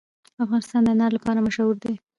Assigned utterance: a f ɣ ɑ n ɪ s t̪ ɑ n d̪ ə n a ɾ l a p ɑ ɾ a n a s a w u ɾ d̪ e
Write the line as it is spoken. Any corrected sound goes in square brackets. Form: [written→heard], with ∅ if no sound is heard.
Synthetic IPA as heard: a f ɣ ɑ n ɪ s t̪ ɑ n d̪ ə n a ɾ l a p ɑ ɾ a [n→m] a [s→ʃ] a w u ɾ d̪ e